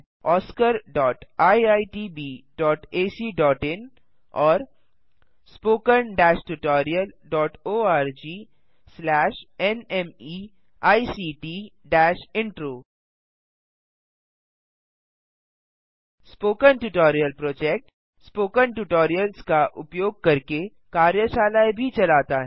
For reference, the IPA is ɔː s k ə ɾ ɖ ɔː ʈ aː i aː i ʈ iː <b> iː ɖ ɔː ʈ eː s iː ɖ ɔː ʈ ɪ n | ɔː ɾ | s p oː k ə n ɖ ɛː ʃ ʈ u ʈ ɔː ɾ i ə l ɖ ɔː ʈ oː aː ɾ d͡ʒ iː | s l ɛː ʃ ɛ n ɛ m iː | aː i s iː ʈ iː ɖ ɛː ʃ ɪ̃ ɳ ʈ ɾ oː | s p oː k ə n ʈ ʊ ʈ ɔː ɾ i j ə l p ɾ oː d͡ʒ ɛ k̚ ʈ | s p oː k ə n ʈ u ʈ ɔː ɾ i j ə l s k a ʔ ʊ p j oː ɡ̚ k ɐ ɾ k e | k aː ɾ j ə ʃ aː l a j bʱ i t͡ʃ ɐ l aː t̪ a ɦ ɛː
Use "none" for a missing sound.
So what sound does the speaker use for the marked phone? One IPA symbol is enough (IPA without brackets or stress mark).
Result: b